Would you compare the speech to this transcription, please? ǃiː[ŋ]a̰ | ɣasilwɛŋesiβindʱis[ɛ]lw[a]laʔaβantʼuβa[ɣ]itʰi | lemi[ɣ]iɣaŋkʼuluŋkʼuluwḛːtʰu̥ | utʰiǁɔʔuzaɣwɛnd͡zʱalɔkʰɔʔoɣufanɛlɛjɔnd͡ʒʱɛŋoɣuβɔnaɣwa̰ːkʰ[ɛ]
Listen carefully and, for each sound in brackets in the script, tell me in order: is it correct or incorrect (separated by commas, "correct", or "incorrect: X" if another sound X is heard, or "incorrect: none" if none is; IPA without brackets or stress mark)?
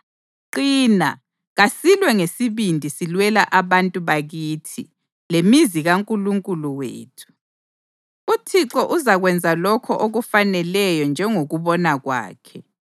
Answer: incorrect: n, incorrect: i, incorrect: ɛ, correct, incorrect: z, correct